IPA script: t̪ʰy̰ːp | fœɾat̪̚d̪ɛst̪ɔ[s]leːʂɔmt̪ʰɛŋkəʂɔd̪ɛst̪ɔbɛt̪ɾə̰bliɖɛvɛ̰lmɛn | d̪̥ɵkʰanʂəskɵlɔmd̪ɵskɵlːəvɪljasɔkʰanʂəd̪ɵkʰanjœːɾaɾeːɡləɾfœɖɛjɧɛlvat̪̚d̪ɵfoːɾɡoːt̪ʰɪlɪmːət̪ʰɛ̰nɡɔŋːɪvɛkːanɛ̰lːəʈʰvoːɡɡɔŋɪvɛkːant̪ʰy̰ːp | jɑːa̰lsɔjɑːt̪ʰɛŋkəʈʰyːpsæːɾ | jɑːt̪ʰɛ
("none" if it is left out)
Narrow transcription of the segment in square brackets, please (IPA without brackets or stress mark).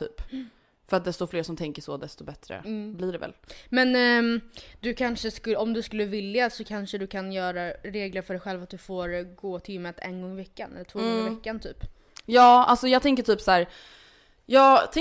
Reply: f